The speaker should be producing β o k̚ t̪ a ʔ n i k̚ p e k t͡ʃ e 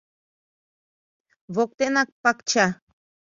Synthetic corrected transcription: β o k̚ t̪ e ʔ n a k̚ p a k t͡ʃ a